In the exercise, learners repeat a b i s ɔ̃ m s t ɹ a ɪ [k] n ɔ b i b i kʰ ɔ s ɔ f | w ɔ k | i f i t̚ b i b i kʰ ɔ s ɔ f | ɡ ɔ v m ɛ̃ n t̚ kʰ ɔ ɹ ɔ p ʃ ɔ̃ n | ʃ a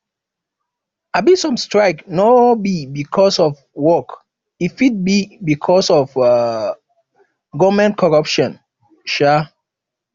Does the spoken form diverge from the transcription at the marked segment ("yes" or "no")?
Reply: no